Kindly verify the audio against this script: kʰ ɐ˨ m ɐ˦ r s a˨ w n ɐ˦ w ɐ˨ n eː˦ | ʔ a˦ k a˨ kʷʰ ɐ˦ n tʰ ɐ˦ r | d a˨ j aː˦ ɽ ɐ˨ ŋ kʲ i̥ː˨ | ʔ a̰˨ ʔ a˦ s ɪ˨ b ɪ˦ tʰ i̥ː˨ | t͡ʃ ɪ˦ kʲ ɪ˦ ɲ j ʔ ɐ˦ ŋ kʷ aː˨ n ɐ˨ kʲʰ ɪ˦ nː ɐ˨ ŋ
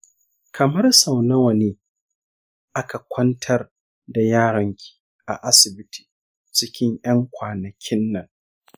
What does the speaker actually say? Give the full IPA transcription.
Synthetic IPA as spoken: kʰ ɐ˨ m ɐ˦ r s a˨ w n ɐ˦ w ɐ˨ n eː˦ | ʔ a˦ k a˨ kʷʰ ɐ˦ n tʰ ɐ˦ r | d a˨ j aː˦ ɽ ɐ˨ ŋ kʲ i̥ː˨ | ʔ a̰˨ ʔ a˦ s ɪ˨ b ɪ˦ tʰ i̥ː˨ | t͡ʃ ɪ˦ kʲ ɪ˦ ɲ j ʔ ɐ˦ ŋ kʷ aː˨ n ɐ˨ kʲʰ ɪ˦ nː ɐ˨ ŋ